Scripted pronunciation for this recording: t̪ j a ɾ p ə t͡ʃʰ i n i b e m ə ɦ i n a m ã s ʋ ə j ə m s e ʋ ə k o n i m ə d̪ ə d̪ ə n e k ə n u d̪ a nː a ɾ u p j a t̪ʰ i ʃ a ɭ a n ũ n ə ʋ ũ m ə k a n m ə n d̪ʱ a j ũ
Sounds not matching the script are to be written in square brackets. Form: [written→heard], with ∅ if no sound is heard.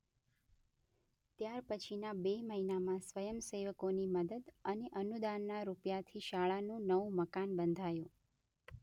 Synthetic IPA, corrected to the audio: t̪ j a ɾ p ə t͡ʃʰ i n [i→a] b e m ə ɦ i n a m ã s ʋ ə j ə m s e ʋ ə k o n i m ə d̪ ə d̪ ə n e [k→ʔ] ə n u d̪ a nː a ɾ u p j a t̪ʰ i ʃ a ɭ a n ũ n ə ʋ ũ m ə k a n [m→b] ə n d̪ʱ a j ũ